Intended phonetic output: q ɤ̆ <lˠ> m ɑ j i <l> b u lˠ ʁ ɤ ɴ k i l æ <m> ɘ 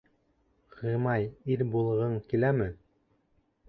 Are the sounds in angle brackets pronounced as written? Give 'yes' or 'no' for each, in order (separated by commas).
no, no, yes